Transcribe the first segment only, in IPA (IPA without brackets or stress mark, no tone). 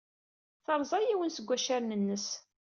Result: θ